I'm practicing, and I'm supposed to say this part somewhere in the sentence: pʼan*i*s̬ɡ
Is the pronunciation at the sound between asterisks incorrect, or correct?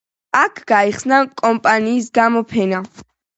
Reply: incorrect